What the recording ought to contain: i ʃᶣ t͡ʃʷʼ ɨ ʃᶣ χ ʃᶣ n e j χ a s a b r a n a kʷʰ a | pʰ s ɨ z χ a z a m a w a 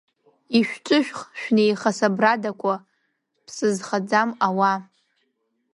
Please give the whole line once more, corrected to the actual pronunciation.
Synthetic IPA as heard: i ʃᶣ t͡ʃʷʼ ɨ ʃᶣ χ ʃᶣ n e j χ a s a b r a d a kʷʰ a | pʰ s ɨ z χ a d͡z a m a w a